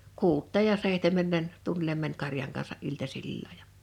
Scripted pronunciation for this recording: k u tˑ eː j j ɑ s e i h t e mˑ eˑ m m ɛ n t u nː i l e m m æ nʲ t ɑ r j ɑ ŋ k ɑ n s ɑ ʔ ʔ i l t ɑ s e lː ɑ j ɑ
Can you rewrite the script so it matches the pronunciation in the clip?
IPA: k uː tˑ eː j j ɑ s e i h t e mˑ eˑ m m ɛ n t u nː i l e m m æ nʲ k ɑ r j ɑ ŋ k ɑ n s ɑ ʔ ʔ i l t ɑ s i lː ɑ j ɑ